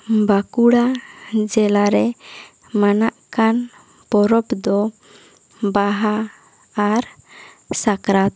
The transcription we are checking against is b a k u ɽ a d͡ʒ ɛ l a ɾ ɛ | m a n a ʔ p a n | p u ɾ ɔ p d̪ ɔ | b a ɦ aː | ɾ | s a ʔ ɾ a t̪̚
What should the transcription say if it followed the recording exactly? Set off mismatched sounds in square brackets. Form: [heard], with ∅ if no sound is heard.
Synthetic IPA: b a k u ɽ a d͡ʒ ɛ l a ɾ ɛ | m a n a ʔ [k] a n | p [ɔ] ɾ ɔ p d̪ ɔ | b a ɦ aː | ɾ | s a [k] ɾ a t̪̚